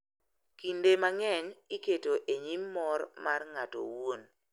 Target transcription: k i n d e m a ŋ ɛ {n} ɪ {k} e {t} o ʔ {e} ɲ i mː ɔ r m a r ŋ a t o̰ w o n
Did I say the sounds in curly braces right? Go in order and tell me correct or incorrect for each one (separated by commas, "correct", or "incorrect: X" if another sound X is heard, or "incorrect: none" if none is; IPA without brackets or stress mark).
incorrect: ɲ, correct, correct, correct